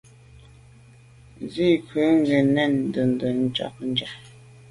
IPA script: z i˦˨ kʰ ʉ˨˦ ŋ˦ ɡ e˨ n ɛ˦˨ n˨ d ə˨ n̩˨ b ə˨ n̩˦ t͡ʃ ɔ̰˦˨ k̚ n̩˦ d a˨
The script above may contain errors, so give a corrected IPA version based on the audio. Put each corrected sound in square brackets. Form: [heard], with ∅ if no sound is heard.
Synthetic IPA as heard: z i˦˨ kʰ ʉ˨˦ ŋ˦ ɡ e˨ n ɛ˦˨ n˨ d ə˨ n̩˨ [d] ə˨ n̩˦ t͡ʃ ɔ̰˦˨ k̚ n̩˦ [d͡ʒ] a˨